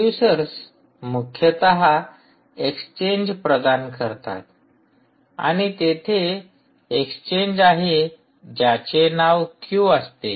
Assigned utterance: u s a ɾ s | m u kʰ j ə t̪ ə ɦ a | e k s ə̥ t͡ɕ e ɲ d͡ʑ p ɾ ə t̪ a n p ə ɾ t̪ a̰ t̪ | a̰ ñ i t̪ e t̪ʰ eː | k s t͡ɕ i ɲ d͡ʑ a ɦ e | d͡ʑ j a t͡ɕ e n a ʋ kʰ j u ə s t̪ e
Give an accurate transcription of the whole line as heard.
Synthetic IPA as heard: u s ə ɾ s | m u kʰ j ə t̪ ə ɦ a | e k s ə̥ t͡ɕ e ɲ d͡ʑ p ɾ ə d̪ a n k ə ɾ t̪ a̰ t̪ | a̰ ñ i t̪ e t̪ʰ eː | k s t͡ɕ e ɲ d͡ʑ a ɦ e | d͡ʑ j a t͡ɕ e n a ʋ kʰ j u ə s t̪ e